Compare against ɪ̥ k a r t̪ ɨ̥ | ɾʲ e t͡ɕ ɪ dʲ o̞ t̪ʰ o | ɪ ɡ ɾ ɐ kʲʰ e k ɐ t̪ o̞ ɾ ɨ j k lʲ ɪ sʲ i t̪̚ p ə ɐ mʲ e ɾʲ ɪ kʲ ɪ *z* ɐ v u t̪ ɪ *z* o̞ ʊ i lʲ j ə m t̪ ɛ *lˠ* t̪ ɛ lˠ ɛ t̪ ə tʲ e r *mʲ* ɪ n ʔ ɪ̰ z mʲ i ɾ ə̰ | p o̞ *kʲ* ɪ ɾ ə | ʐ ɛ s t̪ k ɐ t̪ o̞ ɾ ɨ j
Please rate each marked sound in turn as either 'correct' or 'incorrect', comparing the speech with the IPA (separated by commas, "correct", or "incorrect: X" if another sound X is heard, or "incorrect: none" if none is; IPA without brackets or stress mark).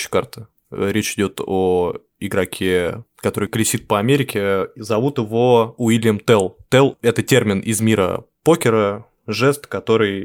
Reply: correct, incorrect: v, correct, correct, correct